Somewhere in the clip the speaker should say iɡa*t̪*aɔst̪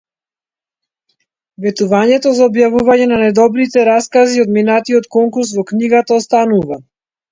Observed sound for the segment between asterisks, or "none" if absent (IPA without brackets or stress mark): t̪